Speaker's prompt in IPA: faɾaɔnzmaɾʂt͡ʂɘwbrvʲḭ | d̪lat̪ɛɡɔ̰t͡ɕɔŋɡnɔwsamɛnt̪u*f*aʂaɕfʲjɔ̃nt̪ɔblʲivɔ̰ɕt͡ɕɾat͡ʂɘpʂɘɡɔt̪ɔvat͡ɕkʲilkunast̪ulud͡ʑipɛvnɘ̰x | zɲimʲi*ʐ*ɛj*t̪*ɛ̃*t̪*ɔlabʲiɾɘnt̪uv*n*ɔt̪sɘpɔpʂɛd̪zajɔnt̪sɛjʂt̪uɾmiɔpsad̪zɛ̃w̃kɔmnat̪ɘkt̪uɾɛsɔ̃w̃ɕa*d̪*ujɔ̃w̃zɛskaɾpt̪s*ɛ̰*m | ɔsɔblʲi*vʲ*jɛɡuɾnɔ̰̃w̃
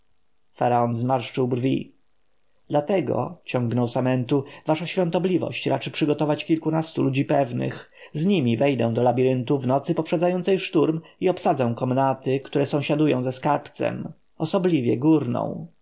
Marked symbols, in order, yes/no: no, no, no, no, yes, yes, yes, yes

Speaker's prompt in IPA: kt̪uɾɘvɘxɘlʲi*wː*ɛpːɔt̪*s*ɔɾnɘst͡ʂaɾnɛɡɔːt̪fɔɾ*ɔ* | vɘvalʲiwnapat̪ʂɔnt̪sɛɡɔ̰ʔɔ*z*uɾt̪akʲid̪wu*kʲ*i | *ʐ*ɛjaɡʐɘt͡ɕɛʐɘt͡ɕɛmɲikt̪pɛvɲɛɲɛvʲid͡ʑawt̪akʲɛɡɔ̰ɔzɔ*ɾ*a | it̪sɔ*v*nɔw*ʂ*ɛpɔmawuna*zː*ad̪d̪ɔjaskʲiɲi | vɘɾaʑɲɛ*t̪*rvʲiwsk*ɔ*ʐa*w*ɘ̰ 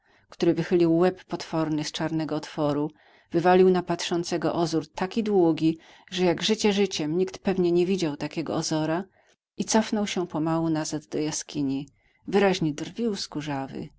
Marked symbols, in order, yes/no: yes, no, no, yes, no, yes, yes, no, no, no, no, no, no

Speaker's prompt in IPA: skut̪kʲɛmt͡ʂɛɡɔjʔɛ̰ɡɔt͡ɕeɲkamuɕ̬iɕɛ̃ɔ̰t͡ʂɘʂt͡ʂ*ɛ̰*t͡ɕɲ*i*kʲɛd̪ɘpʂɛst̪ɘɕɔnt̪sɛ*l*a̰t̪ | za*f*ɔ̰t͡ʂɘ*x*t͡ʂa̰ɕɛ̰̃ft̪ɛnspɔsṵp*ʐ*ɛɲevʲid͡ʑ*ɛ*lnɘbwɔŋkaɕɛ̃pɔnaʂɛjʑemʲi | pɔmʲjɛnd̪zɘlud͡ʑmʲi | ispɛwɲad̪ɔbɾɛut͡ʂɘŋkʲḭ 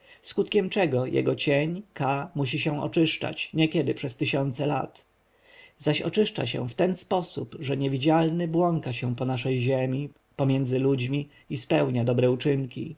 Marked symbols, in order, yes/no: no, no, yes, no, no, yes, no

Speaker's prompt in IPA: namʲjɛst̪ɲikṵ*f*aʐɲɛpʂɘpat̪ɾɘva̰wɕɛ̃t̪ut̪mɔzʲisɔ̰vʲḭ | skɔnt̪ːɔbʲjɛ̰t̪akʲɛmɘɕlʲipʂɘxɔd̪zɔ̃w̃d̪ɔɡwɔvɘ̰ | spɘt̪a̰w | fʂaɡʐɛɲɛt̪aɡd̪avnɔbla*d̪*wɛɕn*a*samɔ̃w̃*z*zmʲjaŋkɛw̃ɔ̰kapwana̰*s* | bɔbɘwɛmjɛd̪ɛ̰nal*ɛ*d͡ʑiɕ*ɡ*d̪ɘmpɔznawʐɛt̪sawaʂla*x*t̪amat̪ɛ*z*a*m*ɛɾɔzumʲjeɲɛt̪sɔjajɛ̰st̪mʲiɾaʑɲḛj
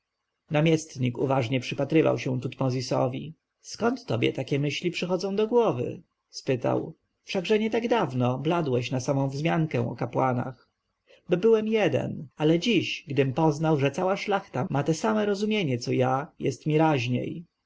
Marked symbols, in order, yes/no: no, yes, yes, no, no, yes, yes, yes, no, yes

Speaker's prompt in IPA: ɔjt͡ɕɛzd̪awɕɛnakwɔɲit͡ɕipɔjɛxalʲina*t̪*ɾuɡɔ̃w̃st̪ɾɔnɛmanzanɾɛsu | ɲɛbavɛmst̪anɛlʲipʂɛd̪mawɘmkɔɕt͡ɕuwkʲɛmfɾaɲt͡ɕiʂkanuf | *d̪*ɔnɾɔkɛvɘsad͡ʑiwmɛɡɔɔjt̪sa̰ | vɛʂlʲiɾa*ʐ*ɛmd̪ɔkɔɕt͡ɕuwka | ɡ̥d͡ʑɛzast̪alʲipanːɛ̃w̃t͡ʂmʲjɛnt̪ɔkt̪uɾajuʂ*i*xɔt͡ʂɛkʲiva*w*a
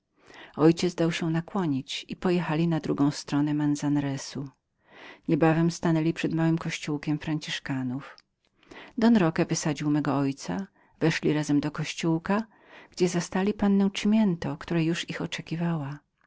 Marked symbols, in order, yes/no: no, yes, no, yes, yes

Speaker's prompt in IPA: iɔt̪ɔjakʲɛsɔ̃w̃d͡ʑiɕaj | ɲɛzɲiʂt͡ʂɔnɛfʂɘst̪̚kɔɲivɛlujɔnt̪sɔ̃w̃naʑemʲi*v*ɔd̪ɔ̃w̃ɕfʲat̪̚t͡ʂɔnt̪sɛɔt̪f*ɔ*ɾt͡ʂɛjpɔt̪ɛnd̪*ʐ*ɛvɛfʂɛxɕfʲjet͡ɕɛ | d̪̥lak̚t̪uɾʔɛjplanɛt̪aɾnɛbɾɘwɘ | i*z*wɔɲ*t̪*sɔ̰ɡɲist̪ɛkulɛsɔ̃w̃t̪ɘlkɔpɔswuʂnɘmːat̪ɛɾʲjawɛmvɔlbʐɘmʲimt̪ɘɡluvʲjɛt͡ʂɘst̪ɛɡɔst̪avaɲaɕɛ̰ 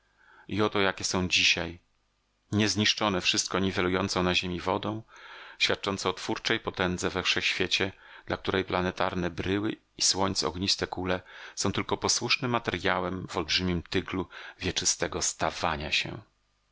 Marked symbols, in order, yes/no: yes, no, no, no, yes

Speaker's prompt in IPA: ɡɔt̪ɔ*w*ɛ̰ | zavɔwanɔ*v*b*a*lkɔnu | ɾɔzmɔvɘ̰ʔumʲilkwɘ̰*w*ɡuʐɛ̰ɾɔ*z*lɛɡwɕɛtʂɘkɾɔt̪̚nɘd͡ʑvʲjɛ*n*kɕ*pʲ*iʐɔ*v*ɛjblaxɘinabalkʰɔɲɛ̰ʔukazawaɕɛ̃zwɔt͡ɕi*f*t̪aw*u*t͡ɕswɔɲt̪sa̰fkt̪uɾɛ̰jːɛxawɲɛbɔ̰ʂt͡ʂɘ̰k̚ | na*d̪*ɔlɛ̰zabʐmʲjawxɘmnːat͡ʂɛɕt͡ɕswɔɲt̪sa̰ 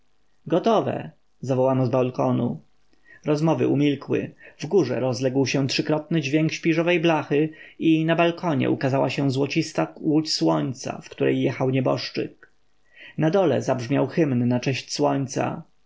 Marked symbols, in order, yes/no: no, no, yes, no, yes, no, yes, yes, no, yes, yes

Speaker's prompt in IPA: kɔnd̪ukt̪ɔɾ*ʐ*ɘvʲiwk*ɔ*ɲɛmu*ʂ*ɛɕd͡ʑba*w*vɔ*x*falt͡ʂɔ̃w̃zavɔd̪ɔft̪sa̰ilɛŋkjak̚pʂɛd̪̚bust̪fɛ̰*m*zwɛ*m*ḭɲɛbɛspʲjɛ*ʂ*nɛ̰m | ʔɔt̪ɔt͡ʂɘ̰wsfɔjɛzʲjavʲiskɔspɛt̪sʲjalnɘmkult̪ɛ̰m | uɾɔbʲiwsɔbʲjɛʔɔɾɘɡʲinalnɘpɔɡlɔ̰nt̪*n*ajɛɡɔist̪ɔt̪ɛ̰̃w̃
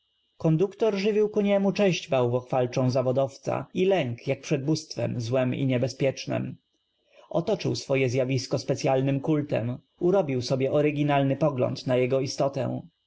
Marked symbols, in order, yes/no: yes, no, no, yes, yes, yes, yes, no, yes

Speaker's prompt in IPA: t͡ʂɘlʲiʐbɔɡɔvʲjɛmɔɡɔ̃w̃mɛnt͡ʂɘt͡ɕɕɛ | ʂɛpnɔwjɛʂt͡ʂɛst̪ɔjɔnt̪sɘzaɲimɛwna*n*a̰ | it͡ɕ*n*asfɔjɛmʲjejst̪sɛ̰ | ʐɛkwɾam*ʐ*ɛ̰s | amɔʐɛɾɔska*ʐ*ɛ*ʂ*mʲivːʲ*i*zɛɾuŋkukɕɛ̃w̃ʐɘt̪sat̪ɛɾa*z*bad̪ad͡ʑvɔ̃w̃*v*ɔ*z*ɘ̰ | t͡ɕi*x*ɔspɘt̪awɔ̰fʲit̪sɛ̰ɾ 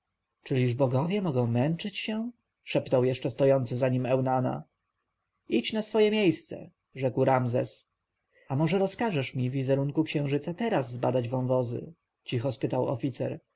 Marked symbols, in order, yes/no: yes, yes, no, yes, yes, yes, no, yes, yes, yes

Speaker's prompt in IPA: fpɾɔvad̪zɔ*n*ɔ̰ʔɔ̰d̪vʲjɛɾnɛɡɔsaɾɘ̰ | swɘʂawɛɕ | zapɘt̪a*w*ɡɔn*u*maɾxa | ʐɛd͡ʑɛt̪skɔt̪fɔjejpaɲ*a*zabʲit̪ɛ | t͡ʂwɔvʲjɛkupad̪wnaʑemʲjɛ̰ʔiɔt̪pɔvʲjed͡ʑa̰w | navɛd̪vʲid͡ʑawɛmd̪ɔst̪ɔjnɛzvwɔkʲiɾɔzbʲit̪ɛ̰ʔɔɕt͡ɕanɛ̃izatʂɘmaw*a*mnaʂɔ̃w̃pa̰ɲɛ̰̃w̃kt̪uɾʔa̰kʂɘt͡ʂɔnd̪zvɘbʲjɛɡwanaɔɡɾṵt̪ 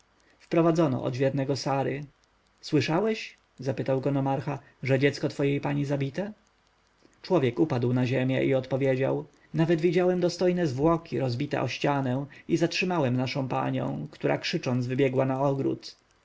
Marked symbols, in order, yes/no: yes, yes, no, no, no

